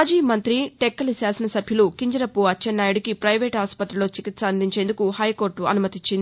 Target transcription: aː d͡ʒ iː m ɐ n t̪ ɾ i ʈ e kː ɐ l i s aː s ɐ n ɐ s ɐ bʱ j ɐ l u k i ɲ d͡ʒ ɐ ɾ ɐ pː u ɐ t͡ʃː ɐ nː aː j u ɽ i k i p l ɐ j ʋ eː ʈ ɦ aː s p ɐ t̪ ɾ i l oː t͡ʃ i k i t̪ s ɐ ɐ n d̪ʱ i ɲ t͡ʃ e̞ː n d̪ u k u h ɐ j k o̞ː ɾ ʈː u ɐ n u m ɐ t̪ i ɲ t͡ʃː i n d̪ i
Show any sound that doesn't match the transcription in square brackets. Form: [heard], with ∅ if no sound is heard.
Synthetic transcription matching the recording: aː d͡ʒ iː m ɐ n t̪ ɾ i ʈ e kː ɐ l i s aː s ɐ n ɐ s ɐ bʱ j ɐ l u k i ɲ d͡ʒ ɐ ɾ ɐ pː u ɐ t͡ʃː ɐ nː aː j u ɽ i k i p [ɾ] ɐ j ʋ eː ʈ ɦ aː s p ɐ t̪ ɾ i l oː t͡ʃ i k i t̪ s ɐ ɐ n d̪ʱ i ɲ t͡ʃ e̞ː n d̪ u k u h ɐ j k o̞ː ɾ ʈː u ɐ n u m ɐ t̪ i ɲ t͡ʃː i n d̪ i